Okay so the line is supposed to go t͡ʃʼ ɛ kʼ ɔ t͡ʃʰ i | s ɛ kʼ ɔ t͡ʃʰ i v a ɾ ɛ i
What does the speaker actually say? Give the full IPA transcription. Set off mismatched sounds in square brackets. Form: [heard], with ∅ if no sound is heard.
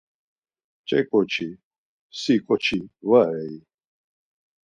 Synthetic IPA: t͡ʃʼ ɛ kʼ ɔ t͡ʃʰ i | s [i] kʼ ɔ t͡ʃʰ i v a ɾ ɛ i

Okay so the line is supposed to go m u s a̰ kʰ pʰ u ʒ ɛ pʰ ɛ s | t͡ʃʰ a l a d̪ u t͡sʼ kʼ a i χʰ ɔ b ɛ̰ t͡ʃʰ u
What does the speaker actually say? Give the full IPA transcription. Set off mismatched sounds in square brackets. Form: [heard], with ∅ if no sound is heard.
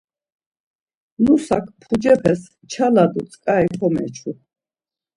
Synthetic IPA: [n] u s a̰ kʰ pʰ u [d͡ʒ] ɛ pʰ ɛ s | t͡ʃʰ a l a d̪ u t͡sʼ kʼ a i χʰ ɔ [m] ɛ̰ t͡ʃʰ u

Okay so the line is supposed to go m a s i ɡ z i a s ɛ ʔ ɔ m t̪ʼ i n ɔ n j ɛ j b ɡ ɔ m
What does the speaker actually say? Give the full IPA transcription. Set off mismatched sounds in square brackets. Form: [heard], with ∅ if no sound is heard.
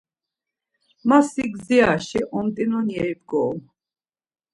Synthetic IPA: m a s i ɡ z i a [ʃ] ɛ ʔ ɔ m t̪ʼ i n ɔ n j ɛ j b ɡ ɔ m

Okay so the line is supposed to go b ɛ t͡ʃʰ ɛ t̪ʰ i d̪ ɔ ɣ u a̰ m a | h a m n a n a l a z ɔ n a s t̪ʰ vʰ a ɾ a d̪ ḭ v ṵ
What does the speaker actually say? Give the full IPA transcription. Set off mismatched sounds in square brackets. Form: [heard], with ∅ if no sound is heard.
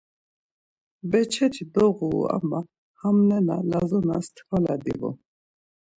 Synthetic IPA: b ɛ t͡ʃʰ ɛ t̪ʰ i d̪ ɔ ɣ u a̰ m a | h a m n [ɛ] n a l a z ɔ n a s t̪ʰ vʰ a [l] a d̪ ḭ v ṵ

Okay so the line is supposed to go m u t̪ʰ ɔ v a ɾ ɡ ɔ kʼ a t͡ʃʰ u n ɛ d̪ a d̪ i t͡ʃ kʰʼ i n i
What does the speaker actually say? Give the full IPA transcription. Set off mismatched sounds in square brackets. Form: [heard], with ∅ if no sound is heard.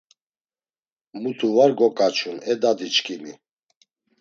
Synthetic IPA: m u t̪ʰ [u] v a ɾ ɡ ɔ kʼ a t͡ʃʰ u n ɛ d̪ a d̪ i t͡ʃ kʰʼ i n i

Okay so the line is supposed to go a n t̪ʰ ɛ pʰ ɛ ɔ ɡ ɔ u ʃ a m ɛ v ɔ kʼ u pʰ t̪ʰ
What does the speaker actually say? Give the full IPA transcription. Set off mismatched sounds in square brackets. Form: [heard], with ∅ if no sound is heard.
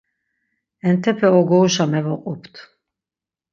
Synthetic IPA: [ɛ] n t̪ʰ ɛ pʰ ɛ ɔ ɡ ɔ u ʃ a m ɛ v ɔ [qʼ] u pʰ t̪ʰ

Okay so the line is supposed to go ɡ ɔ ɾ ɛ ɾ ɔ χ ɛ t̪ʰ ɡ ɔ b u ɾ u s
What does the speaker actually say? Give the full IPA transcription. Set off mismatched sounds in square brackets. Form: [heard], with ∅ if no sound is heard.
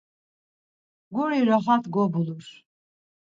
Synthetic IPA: ɡ [u] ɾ [i] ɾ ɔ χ [a] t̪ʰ ɡ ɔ b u [l] u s

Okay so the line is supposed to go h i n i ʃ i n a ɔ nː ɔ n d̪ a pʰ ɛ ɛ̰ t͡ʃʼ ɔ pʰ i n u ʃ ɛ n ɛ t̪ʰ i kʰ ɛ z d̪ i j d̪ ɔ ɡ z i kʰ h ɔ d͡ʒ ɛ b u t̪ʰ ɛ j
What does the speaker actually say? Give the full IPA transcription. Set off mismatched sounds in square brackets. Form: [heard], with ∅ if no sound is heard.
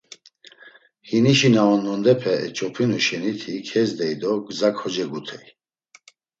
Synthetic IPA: h i n i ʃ i n a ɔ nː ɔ n d̪ [ɛ] pʰ ɛ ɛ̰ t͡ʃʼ ɔ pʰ i n u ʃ ɛ n [i] t̪ʰ i kʰ ɛ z d̪ [ɛ] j d̪ ɔ ɡ z [a] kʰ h ɔ d͡ʒ ɛ [ɡ] u t̪ʰ ɛ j

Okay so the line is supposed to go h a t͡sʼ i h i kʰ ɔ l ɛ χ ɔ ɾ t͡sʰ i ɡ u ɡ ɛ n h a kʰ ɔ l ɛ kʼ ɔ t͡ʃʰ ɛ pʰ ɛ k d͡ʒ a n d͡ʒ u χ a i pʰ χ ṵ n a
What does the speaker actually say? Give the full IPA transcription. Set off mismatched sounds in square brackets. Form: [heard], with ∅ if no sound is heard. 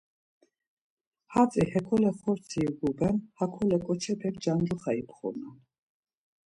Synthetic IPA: h a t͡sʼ i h [ɛ] kʰ ɔ l ɛ χ ɔ ɾ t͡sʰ i ɡ u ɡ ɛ n h a kʰ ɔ l ɛ kʼ ɔ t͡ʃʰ ɛ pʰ ɛ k d͡ʒ a n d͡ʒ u χ a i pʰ χ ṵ n a

